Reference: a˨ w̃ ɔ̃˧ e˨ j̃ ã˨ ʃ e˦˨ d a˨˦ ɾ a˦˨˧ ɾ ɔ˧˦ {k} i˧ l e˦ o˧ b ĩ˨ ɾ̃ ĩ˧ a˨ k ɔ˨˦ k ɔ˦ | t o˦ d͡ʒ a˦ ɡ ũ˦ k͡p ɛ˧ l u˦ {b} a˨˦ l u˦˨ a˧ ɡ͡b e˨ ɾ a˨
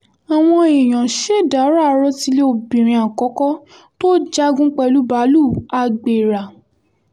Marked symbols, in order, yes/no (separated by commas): no, yes